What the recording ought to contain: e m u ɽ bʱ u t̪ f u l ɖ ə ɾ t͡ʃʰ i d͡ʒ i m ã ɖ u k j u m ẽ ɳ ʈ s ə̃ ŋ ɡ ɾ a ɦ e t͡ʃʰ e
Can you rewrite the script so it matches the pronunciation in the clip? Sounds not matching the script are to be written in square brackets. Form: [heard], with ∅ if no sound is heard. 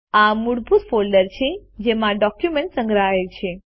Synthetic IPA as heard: [a] m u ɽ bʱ u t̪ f [o] l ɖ ə ɾ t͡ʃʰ [e] d͡ʒ [e] m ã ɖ [ɔ] k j u m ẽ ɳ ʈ s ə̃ ŋ ɡ ɾ a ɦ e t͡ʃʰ e